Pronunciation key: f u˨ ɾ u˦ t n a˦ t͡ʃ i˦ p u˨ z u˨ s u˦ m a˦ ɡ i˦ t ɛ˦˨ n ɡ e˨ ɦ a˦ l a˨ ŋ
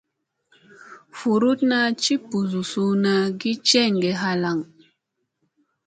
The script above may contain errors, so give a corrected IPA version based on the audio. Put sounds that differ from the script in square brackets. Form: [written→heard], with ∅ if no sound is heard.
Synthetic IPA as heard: f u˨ ɾ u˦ t n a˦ t͡ʃ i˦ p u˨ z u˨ s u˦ [m→n] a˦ ɡ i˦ [t→t͡ʃ] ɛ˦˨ [n→ŋ] ɡ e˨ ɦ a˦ l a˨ ŋ